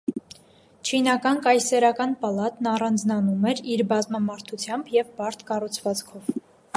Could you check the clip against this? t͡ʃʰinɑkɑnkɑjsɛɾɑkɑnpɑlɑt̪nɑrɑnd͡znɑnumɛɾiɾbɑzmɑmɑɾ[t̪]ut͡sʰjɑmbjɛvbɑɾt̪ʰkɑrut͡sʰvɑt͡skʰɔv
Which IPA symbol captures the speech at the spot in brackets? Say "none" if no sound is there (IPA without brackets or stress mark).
t̪ʰ